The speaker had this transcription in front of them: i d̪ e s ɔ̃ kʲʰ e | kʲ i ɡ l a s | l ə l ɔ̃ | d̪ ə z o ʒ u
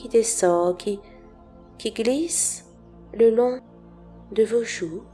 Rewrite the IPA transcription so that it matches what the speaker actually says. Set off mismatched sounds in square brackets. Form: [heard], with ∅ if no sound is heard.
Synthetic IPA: i d̪ e s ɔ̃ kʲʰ [i] | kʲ i ɡ l [i] s | l ə l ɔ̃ | d̪ ə [v] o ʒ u